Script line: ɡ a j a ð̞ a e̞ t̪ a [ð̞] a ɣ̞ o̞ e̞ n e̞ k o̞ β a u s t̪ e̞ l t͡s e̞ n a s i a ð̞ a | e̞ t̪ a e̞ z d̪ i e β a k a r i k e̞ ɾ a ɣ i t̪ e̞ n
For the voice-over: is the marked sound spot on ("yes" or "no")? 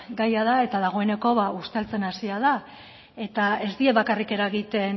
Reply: yes